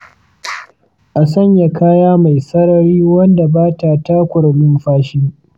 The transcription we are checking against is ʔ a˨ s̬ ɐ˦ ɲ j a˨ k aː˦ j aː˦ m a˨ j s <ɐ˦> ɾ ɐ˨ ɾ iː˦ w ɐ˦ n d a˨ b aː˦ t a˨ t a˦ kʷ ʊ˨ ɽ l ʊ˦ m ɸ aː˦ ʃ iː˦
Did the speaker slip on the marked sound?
no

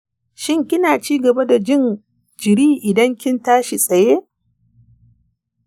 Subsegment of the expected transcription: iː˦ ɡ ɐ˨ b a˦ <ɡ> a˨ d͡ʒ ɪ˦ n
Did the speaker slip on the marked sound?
yes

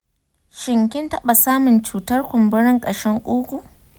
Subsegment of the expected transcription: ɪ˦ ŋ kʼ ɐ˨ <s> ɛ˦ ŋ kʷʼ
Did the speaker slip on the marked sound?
yes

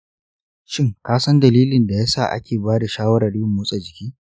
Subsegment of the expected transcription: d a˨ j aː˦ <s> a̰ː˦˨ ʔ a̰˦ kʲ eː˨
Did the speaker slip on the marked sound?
no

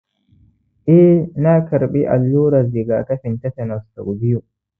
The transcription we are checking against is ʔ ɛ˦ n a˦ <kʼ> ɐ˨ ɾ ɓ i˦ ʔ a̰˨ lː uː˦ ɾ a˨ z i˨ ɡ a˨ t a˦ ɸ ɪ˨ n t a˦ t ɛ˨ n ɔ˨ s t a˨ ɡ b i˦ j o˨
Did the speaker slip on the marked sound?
yes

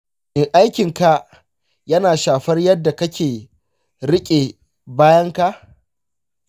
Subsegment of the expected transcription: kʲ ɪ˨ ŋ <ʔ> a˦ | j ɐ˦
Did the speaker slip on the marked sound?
yes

